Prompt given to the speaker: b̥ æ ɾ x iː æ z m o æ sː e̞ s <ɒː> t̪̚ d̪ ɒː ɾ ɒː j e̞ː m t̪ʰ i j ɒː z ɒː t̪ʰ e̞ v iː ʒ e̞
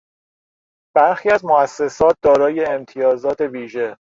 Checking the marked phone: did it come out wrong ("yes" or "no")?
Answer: no